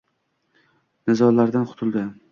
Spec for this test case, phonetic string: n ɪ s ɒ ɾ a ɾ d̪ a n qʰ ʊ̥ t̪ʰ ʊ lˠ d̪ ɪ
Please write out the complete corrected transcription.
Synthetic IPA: n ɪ z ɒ l a ɾ d̪ a n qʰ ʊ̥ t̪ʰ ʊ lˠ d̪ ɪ